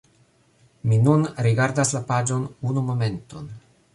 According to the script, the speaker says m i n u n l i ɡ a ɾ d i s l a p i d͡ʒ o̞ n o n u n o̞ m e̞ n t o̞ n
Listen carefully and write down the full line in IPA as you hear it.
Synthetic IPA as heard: m i n u n ɾ i ɡ a ɾ d a s l a p a d͡ʒ o̞ n u n u m o̞ m e̞ n t o̞ n